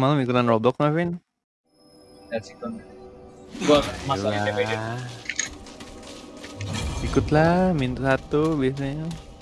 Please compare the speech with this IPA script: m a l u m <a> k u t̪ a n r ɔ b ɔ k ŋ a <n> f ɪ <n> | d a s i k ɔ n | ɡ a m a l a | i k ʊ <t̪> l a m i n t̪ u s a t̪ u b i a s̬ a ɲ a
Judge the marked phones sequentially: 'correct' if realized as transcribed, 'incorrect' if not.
incorrect, incorrect, correct, correct

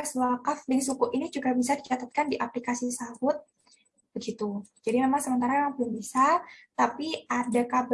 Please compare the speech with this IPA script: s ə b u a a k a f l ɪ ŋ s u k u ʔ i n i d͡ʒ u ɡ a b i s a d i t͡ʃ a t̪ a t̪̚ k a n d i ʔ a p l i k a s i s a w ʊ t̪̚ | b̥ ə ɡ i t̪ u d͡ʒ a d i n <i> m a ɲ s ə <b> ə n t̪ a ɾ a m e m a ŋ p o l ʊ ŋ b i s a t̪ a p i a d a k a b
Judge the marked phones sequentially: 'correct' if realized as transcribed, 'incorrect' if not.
incorrect, incorrect

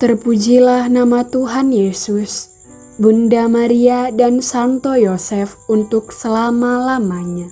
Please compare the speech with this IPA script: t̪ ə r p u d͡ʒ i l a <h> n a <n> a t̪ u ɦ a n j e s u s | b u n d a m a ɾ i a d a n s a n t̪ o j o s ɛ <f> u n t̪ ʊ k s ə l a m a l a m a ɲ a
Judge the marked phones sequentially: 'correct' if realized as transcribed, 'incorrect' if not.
correct, incorrect, correct

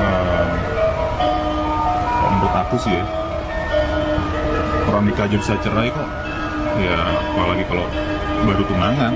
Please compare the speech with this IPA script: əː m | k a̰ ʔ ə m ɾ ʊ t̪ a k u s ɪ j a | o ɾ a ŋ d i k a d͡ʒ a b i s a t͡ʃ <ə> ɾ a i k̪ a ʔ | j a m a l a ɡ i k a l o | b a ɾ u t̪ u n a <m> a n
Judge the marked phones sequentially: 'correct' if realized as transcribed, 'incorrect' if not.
correct, incorrect

